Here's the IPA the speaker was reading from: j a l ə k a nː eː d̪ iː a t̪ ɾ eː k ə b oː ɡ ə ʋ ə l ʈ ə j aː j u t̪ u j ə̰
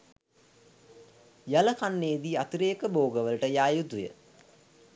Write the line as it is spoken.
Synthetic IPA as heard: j a l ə k a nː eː d̪ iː a t̪ ɾ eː k ə b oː ɡ ə ʋ ə l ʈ ə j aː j u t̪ u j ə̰